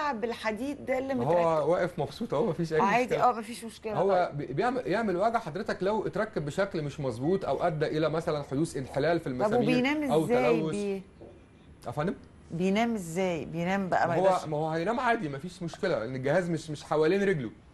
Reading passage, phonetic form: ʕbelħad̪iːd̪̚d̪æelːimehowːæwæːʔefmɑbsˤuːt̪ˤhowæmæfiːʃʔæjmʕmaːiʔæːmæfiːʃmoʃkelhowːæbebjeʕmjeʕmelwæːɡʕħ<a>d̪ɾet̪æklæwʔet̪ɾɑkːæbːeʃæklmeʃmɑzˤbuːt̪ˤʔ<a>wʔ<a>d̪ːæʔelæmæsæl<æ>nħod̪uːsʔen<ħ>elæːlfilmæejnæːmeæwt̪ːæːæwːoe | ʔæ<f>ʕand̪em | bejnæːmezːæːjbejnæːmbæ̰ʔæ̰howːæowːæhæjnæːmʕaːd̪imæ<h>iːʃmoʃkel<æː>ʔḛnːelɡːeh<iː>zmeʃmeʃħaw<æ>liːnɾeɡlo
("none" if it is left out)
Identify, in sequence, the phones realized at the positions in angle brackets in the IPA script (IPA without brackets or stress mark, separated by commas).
ɑ, æ, æ, æ, ħ, f, f, æ, æː, æ